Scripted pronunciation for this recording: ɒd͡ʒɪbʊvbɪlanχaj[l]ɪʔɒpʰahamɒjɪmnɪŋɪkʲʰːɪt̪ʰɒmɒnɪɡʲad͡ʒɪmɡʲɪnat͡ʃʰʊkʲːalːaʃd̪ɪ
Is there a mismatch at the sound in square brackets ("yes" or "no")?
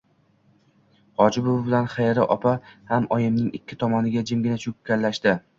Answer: yes